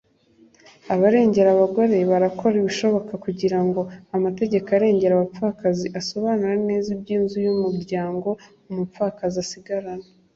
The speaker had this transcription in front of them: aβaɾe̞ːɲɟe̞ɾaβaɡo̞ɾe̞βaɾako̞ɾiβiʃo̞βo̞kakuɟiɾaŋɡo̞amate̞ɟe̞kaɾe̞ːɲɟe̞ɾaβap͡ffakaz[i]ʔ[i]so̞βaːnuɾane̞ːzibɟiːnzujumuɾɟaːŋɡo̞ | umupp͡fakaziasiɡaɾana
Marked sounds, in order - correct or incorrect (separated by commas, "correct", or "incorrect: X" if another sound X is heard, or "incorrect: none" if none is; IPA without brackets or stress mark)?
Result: correct, incorrect: a